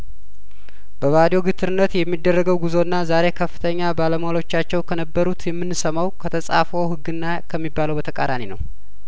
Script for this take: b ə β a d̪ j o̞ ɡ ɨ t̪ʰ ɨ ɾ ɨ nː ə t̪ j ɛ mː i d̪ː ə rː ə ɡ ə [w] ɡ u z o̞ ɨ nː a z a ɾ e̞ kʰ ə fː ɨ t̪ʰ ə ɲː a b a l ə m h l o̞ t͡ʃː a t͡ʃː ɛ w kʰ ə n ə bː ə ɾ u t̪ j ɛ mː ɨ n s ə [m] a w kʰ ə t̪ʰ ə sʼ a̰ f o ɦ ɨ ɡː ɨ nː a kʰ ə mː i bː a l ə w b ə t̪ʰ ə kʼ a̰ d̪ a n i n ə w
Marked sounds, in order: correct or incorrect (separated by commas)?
correct, correct